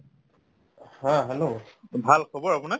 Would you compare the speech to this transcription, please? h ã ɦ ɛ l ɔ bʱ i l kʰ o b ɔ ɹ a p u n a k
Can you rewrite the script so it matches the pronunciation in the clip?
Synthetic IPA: h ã ɦ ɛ l o bʱ a l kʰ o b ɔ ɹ a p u n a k